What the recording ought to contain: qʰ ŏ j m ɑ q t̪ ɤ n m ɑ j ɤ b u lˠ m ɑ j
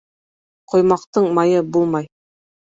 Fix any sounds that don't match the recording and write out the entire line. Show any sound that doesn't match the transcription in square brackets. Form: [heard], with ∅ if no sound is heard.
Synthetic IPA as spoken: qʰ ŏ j m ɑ q t̪ ɤ [ɴ] m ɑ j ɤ b u lˠ m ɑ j